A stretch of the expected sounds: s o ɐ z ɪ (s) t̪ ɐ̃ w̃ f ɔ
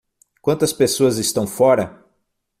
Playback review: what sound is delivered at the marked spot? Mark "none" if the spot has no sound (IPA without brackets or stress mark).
s